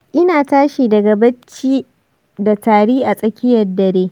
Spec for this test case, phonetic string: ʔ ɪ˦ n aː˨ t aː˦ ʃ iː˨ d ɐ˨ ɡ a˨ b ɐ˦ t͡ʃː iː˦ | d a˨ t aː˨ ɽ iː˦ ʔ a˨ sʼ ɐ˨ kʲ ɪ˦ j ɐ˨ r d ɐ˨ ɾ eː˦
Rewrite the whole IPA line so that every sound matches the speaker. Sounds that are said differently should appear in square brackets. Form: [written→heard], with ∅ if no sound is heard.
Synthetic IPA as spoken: ʔ ɪ˦ n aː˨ t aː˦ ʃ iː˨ d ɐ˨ ɡ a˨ b ɐ˦ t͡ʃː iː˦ | d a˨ t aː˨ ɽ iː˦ ʔ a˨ sʼ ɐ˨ kʲ ɪ˦ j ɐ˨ r d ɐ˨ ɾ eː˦